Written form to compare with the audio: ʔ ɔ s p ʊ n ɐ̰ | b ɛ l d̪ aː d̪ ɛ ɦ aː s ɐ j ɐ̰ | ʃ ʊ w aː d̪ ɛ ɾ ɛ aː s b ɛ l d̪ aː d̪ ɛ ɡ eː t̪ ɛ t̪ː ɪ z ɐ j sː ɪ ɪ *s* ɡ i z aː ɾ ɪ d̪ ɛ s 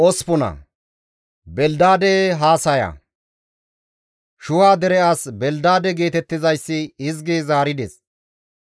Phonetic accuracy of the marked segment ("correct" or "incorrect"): incorrect